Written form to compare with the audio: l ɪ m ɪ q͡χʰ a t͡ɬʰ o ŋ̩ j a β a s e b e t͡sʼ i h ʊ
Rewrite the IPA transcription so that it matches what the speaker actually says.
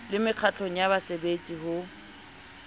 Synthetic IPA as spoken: l ɪ m ɪ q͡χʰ a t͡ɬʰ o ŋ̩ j a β a s e b e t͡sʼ i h ʊ